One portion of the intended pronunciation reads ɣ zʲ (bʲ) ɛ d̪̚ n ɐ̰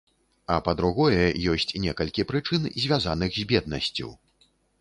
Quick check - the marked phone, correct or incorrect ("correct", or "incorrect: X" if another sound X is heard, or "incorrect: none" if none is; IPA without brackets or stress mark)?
correct